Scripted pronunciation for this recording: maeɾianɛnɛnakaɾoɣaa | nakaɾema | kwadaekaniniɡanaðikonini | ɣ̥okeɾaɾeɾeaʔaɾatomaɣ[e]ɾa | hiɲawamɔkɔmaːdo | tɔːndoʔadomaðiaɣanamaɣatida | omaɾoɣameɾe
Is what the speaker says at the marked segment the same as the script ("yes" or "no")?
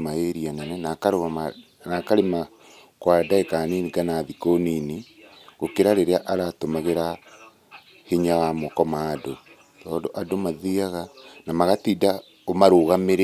yes